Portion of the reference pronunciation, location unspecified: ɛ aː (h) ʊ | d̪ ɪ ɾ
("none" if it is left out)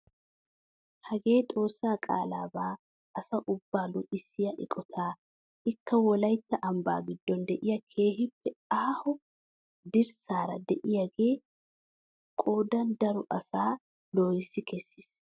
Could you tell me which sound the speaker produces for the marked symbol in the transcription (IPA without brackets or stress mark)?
h